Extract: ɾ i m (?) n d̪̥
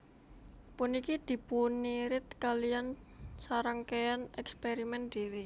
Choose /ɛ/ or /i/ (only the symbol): ɛ